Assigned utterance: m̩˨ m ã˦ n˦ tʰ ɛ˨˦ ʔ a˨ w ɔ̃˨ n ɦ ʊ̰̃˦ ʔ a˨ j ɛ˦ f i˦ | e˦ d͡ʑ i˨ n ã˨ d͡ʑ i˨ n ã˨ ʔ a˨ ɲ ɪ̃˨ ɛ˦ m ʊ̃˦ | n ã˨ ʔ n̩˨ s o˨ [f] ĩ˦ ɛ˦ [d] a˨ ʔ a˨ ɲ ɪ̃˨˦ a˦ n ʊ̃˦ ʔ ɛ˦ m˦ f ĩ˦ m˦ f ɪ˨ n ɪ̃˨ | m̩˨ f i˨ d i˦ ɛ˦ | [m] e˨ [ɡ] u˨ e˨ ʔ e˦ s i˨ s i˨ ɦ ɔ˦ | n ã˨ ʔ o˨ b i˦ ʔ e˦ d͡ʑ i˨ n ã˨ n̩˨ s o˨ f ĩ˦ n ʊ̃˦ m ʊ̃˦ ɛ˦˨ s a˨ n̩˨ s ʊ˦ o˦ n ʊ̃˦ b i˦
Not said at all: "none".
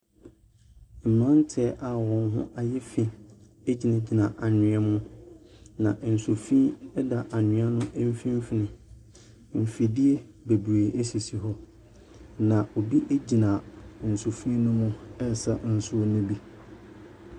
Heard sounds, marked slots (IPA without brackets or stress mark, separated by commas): f, d, b, b